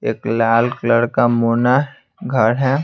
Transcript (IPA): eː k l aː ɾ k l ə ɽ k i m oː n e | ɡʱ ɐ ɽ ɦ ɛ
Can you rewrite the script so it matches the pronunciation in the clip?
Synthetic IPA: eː k l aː l k l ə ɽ k a m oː n a | ɡʱ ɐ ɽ ɦ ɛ